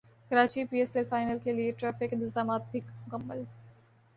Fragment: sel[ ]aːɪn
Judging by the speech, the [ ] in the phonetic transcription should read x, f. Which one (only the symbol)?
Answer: f